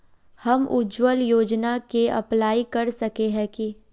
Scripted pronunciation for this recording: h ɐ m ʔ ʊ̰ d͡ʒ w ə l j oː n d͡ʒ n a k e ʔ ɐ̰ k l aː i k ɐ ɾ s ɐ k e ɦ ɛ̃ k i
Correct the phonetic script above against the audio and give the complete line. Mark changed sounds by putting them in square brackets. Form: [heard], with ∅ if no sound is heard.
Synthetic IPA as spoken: h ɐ m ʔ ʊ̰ d͡ʒ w ə l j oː [∅] d͡ʒ n a k e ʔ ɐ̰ [p] l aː i k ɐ ɾ s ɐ k e ɦ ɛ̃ k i